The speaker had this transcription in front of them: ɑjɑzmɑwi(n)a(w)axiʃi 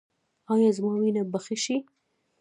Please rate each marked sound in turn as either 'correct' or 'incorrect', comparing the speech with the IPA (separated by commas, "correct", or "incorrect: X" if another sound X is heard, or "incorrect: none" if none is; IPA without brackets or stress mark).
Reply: correct, incorrect: b